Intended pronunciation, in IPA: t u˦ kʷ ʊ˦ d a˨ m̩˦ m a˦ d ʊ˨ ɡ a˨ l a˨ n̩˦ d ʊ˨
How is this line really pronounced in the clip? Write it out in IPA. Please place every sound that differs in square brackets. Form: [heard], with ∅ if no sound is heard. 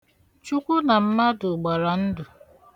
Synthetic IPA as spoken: [t͡ʃ] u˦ kʷ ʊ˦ [n] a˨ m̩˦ m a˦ d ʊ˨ [ɡ͡b] a˨ [ɾ] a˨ n̩˦ d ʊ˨